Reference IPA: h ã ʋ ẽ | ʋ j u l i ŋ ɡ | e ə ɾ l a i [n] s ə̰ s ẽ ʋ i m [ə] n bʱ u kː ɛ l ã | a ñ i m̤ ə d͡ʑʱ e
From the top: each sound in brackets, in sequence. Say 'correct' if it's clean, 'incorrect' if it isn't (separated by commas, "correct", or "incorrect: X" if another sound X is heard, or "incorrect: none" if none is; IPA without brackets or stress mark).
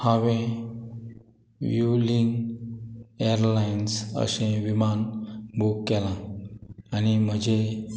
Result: correct, incorrect: a